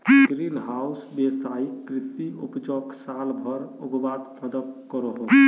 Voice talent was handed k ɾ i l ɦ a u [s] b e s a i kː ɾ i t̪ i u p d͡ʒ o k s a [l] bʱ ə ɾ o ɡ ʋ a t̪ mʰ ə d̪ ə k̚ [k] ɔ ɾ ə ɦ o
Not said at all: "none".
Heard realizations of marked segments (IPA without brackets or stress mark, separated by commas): s, l, k